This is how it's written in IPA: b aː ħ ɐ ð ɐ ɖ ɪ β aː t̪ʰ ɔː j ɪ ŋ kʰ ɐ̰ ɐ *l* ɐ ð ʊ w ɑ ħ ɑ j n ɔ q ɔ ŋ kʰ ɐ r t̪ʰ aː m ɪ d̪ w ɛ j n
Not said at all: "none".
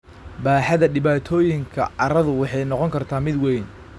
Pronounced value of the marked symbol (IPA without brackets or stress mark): ɾ